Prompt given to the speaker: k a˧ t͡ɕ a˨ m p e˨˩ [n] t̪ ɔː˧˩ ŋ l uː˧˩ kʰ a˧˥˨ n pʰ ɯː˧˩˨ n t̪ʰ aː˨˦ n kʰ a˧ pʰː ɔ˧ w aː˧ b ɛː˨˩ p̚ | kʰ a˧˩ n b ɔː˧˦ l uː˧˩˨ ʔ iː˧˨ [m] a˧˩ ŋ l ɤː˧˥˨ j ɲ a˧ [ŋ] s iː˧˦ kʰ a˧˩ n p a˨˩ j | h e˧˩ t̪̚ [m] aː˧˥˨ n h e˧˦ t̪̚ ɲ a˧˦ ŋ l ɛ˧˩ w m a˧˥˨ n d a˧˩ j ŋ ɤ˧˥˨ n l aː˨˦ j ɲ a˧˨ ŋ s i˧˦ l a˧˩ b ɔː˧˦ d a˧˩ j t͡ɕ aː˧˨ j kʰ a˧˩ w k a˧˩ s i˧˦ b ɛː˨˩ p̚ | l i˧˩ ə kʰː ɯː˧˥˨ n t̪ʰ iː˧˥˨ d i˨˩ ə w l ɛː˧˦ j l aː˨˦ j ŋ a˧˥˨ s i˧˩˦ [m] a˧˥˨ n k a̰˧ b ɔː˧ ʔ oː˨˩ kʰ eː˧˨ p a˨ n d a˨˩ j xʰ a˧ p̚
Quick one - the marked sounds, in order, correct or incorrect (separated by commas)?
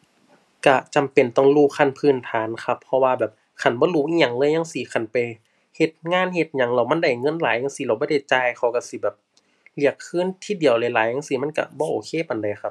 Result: correct, incorrect, correct, incorrect, correct